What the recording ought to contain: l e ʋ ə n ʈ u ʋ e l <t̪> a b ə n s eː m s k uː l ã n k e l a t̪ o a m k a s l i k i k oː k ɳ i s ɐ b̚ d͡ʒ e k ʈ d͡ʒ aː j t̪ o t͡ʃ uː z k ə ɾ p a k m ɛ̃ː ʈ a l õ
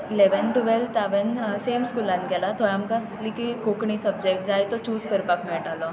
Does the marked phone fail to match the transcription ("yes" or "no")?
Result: no